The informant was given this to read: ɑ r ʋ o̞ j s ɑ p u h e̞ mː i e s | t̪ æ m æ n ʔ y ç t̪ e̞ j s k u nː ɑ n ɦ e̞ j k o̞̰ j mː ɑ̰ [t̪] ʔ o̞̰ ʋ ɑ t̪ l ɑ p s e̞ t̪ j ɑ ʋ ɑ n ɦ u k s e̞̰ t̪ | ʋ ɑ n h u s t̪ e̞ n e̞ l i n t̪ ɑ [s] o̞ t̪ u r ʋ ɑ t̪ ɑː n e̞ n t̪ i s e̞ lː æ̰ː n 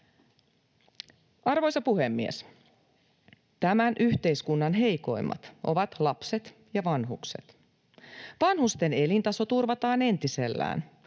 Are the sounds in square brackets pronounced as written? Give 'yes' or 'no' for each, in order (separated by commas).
yes, yes